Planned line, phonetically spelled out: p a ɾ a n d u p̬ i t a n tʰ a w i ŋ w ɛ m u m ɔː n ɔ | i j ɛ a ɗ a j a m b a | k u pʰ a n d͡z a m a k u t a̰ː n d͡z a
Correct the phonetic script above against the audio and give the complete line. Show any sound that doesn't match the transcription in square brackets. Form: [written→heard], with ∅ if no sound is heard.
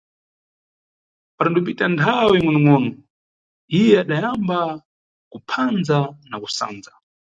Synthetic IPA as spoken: p a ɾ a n d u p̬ i t a n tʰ a w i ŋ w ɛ [m→n] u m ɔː n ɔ | i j ɛ a ɗ a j a m b a | k u pʰ a n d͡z a [m→n] a k u [t→s] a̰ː n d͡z a